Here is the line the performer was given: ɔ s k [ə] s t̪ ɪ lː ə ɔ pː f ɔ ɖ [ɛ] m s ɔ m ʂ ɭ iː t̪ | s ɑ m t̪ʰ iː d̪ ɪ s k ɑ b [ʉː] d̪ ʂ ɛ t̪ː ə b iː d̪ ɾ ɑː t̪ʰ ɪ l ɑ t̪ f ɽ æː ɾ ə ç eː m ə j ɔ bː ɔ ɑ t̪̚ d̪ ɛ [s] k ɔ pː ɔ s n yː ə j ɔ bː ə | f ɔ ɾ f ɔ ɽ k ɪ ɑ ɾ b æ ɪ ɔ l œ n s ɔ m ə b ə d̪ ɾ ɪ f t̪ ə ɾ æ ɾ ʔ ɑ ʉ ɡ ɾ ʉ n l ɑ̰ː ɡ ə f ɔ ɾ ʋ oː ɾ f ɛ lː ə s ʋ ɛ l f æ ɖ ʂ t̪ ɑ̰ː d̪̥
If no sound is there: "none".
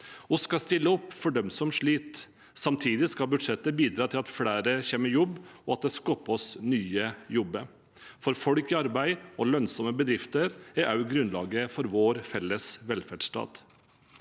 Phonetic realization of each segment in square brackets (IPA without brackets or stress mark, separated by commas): ɑ, œ, ʉ, s